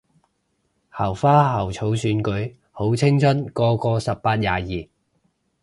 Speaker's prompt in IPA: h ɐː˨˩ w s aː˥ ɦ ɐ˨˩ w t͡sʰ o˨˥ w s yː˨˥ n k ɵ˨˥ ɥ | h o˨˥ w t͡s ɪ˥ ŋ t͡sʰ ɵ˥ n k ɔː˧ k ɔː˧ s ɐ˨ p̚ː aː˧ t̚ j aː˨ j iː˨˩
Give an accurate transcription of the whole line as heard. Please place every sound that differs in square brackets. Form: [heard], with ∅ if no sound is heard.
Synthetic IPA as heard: h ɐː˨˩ w [f] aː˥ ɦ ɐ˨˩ w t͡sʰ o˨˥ w s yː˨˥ n k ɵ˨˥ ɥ | h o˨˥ w [t͡sʰ] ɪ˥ ŋ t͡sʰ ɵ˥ n k ɔː˧ k ɔː˧ s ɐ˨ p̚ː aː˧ t̚ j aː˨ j iː˨˩